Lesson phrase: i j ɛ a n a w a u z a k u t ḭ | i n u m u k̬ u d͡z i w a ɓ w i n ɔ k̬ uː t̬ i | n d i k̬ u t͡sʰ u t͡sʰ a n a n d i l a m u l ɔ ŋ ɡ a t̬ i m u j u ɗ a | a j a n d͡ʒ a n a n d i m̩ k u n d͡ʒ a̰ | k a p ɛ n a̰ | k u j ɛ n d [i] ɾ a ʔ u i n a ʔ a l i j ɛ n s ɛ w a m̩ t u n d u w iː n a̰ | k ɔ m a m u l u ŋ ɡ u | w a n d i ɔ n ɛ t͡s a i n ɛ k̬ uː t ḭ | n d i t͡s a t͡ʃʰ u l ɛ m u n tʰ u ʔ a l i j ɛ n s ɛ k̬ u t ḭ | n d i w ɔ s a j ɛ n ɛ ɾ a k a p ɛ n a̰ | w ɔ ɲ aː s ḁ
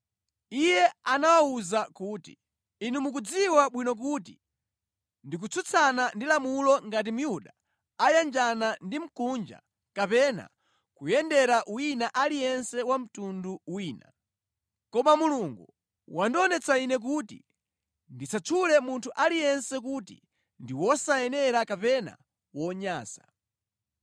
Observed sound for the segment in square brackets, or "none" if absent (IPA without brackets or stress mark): ɛ